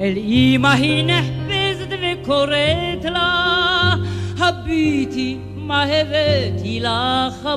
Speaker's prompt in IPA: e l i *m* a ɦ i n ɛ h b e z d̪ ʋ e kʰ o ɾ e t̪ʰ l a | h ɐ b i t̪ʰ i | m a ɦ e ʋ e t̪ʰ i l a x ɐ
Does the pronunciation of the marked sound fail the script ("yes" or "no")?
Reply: no